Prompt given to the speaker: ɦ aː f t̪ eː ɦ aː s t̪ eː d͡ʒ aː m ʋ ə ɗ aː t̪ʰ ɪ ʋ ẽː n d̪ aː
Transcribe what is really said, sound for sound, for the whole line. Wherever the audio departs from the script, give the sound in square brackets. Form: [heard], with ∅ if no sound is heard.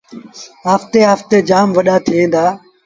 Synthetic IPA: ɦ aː f t̪ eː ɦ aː [f] t̪ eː d͡ʒ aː m ʋ ə ɗ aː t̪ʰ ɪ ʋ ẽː n d̪ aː